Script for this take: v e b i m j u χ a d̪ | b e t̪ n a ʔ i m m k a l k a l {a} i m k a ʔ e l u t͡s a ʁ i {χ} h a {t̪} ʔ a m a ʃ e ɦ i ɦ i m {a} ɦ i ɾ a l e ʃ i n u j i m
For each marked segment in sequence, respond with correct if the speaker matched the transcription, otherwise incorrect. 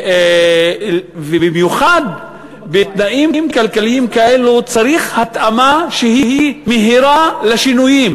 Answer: incorrect: i, correct, correct, incorrect: e

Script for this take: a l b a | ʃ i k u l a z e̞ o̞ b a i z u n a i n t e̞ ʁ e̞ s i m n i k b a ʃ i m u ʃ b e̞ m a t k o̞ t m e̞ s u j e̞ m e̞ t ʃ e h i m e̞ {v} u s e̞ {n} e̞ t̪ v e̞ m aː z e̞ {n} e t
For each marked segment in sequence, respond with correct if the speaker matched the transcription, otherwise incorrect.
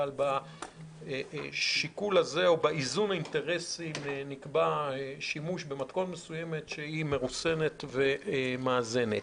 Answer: incorrect: ʁ, correct, correct

